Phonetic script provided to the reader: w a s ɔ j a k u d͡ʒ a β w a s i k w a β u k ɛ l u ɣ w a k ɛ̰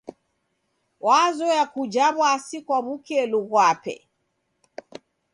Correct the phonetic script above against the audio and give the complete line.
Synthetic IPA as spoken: w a z ɔ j a k u d͡ʒ a β w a s i k w a β u k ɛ l u ɣ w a p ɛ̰